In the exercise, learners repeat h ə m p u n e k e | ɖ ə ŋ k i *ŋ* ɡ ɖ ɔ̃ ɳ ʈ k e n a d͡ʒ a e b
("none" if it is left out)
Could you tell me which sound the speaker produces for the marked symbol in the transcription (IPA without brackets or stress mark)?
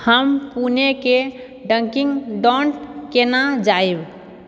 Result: ŋ